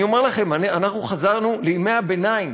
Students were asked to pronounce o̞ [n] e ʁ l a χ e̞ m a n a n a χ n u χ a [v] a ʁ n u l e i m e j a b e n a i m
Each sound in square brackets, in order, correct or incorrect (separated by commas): incorrect, incorrect